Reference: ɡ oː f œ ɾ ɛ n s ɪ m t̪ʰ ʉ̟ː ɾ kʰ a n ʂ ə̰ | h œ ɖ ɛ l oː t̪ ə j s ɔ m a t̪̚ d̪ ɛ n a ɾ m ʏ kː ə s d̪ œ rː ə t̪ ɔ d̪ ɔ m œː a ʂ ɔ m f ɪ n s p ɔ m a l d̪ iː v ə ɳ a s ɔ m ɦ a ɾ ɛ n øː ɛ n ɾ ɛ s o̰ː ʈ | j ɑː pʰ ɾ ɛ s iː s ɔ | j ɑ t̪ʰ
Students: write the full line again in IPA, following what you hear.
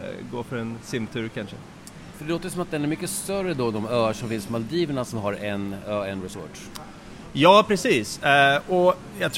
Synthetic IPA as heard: ɡ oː f œ ɾ ɛ n s ɪ m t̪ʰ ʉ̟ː ɾ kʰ a n ʂ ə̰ | f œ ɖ ɛ l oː t̪ ə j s ɔ m a t̪̚ d̪ ɛ n æ ɾ m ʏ kː ə s t̪ œ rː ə d̪ ɔ d̪ ɔ m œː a ʂ ɔ m f ɪ n s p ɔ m a l d̪ iː v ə ɳ a s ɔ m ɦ a ɾ ɛ n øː ɛ n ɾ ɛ s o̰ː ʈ | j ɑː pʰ ɾ ɛ s iː s ɔ | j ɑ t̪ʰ